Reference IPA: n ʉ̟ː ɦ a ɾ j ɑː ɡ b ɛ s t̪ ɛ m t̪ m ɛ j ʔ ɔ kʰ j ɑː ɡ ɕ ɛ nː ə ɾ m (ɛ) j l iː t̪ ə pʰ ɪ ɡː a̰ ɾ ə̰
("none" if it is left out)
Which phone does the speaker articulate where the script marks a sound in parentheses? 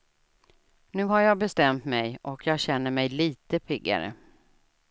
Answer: ɛ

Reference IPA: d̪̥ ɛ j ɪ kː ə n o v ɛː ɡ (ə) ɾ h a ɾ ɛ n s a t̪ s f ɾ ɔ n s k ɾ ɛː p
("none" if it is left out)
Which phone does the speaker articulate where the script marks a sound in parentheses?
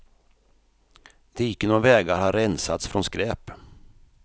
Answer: a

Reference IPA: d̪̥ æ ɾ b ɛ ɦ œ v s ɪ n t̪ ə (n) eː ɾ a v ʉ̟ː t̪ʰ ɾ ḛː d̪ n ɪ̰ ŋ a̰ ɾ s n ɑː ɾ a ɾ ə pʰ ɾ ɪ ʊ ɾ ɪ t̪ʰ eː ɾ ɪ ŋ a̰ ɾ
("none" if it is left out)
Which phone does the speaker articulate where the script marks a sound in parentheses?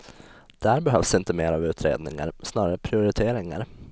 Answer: m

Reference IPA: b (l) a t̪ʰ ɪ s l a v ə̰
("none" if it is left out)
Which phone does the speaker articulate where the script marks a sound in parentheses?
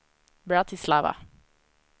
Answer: ɹ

